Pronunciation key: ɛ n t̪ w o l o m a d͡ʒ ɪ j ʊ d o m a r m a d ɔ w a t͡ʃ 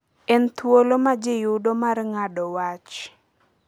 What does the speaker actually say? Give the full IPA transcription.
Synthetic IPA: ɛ n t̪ w o l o m a d͡ʒ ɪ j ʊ d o m a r ŋ a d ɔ w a t͡ʃ